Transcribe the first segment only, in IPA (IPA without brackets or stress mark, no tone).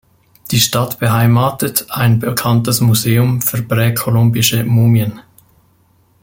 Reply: d̥